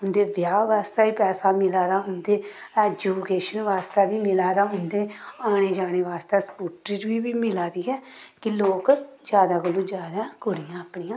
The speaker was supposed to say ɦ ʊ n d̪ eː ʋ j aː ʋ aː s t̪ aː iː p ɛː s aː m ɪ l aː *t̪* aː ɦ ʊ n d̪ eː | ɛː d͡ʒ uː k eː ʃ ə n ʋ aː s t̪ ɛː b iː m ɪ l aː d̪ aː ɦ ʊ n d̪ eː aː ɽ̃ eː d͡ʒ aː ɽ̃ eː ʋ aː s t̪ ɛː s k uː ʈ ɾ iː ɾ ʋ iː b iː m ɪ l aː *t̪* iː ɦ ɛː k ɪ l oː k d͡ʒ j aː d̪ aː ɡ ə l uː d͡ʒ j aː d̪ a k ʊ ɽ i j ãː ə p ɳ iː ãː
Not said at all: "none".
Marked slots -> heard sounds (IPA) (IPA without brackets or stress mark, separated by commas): d̪, d̪